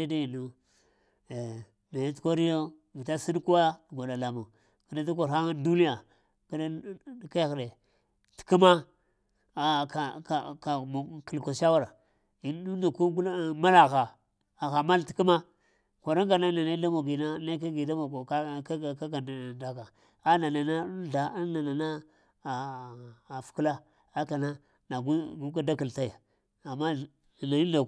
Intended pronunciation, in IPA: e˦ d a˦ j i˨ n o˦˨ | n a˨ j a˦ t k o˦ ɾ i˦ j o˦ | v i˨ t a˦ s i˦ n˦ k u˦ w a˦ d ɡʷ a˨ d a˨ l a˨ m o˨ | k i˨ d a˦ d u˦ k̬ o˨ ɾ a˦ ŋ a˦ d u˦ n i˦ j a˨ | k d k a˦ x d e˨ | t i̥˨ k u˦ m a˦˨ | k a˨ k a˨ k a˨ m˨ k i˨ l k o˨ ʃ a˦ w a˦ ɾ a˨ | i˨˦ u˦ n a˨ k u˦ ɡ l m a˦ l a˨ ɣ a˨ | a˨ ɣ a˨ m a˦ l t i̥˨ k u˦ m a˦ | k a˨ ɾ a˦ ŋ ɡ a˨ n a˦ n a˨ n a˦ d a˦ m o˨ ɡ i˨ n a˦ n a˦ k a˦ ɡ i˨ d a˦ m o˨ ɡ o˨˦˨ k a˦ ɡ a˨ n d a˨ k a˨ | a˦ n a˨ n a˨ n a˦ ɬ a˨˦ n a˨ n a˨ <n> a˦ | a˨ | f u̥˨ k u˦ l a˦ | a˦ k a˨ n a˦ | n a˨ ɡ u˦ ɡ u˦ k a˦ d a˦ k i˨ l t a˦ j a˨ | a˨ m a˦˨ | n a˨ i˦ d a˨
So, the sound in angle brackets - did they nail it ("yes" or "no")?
yes